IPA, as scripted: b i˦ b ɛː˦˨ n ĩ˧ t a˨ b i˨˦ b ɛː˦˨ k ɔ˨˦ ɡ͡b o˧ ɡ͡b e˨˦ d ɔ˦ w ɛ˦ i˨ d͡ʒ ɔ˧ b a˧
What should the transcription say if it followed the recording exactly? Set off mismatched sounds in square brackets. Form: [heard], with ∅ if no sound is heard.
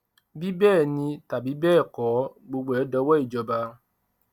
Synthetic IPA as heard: b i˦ b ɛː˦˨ n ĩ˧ t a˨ b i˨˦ b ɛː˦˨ k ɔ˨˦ ɡ͡b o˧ ɡ͡b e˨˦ d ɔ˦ w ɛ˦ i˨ d͡ʒ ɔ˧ b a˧